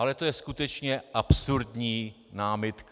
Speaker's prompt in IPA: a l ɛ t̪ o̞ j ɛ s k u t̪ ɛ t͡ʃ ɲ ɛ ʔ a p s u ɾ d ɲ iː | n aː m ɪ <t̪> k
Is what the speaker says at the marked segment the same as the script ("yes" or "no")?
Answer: yes